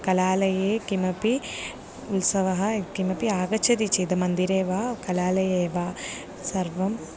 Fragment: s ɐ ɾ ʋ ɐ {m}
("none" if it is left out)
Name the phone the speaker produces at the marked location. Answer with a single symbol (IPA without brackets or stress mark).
m